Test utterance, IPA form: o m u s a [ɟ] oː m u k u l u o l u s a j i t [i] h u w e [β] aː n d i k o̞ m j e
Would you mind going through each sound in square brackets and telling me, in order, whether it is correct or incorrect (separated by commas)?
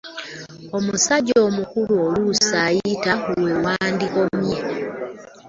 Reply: correct, incorrect, incorrect